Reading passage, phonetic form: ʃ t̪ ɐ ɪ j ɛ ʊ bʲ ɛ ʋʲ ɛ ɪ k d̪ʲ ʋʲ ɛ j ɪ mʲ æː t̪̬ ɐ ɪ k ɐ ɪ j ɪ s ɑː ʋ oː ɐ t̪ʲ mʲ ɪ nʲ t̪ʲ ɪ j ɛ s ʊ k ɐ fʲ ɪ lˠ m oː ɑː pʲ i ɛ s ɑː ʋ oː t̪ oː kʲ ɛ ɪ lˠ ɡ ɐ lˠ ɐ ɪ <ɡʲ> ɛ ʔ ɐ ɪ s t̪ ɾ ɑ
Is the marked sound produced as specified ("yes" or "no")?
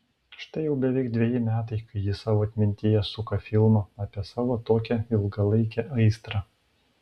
no